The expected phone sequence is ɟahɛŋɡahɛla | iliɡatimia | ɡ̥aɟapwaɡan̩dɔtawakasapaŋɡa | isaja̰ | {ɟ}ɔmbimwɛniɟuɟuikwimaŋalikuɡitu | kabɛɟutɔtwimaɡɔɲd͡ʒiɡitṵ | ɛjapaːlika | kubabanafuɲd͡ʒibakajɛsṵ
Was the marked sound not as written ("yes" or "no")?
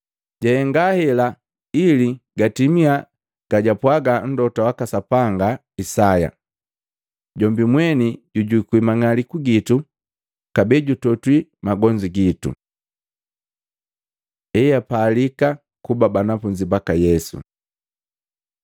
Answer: no